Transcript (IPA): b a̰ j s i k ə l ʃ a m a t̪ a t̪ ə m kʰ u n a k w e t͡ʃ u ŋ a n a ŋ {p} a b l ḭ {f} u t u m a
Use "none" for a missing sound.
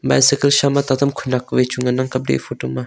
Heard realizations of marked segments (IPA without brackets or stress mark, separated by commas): k, f